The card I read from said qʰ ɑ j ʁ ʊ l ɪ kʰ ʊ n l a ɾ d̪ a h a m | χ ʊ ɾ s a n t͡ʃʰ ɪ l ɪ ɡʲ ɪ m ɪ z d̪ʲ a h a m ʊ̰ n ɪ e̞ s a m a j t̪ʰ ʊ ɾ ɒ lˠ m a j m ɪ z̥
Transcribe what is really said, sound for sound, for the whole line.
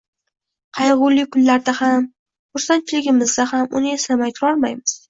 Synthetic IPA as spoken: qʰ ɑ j ʁ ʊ l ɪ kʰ ʊ n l a ɾ d̪ a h a m | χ ʊ ɾ s a n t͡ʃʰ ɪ l ɪ ɡʲ ɪ m ɪ z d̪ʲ a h a m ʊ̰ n ɪ e̞ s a m a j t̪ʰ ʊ ɾ ɒ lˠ m a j m ɪ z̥

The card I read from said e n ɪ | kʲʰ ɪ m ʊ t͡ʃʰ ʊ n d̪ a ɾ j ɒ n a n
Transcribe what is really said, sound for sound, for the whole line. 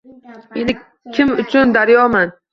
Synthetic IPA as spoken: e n ɪ | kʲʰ ɪ m ʊ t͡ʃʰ ʊ n d̪ a ɾ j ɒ m a n

